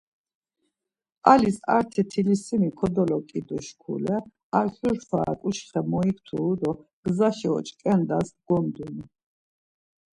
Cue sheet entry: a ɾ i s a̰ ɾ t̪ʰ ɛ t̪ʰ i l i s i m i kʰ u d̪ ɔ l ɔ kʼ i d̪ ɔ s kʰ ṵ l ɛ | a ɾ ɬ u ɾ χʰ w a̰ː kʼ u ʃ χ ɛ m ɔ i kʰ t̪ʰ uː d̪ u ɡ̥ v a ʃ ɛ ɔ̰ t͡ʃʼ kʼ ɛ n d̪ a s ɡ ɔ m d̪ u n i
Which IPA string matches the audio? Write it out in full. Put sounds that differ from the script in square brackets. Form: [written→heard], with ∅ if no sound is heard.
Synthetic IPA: a [ɾ→l] i s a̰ ɾ t̪ʰ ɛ t̪ʰ i l i s i m i kʰ [u→ɔ] d̪ ɔ l ɔ kʼ i d̪ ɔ [s→ʃ] kʰ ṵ l ɛ | a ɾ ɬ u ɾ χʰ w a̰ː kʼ u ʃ χ ɛ m ɔ i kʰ t̪ʰ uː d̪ [u→ɔ] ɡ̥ [v→z] a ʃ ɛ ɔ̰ t͡ʃʼ kʼ ɛ n d̪ a s ɡ ɔ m d̪ u n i